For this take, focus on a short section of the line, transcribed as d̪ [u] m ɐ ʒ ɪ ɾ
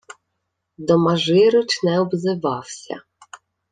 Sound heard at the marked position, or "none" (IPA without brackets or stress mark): ɔ